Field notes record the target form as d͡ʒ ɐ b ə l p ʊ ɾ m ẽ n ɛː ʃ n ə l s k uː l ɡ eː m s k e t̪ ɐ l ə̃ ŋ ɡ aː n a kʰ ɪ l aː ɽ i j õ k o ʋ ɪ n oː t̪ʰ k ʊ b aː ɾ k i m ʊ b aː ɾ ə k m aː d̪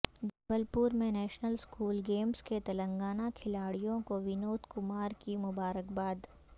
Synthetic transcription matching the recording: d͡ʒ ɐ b ə l p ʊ ɾ m ẽ n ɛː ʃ n ə l s k uː l ɡ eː m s k e t̪ ɐ l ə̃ ŋ ɡ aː n a kʰ ɪ l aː ɽ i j õ k o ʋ ɪ n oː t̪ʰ k ʊ m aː ɾ k i m ʊ b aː ɾ ə k b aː d̪